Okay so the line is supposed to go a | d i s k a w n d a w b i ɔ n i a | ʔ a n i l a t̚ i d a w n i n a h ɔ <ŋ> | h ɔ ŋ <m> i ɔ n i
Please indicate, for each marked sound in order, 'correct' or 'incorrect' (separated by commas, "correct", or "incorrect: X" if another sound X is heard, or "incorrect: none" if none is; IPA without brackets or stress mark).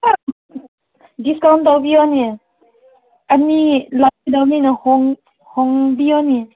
correct, incorrect: b